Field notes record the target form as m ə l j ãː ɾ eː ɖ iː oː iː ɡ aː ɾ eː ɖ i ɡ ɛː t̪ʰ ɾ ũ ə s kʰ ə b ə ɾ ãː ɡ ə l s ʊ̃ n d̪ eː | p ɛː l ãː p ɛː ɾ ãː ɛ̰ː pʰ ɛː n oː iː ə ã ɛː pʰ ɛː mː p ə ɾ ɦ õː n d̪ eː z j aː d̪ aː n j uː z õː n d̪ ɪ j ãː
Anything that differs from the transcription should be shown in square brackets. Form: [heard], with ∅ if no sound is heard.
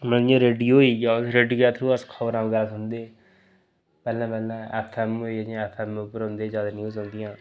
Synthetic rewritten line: m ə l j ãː ɾ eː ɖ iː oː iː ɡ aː ɾ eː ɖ i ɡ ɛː t̪ʰ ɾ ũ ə s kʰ ə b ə ɾ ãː ɡ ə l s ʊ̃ n d̪ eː | p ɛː l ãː p ɛː [l] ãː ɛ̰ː pʰ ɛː [m] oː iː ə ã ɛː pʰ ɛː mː p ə ɾ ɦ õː n d̪ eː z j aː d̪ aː n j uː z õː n d̪ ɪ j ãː